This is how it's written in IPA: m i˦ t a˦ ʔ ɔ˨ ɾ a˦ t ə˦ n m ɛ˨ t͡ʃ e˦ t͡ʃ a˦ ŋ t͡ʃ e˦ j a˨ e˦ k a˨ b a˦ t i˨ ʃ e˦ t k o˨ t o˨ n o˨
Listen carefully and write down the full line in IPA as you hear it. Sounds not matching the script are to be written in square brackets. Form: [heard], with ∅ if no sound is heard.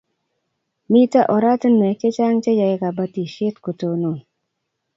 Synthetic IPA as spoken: m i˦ t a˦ ʔ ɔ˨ ɾ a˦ t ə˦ n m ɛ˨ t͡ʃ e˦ t͡ʃ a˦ ŋ t͡ʃ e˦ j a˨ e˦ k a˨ b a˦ t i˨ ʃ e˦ t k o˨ t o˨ n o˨